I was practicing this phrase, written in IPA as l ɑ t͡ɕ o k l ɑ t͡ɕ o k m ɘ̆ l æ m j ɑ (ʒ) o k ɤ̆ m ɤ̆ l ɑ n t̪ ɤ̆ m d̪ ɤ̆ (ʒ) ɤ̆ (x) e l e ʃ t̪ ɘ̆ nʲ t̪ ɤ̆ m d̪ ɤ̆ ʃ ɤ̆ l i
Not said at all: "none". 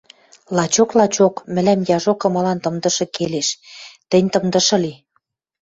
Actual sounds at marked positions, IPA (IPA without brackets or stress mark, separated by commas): ʒ, ʃ, k